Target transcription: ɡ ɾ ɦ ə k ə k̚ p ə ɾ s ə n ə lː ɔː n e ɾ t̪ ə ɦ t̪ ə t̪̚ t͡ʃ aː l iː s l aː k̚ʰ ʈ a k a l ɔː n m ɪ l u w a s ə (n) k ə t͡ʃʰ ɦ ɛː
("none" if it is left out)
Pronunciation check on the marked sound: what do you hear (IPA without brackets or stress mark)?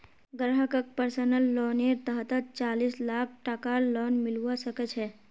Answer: none